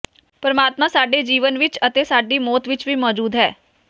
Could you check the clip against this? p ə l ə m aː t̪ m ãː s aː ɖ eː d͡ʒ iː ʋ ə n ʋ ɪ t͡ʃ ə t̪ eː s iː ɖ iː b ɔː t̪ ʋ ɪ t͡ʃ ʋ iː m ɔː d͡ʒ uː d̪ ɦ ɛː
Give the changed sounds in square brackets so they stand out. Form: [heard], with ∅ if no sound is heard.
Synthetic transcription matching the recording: p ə [ɾ] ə m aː t̪ m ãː s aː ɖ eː d͡ʒ iː ʋ ə n ʋ ɪ t͡ʃ ə t̪ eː s [aː] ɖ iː [m] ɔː t̪ ʋ ɪ t͡ʃ ʋ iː m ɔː d͡ʒ uː d̪ ɦ ɛː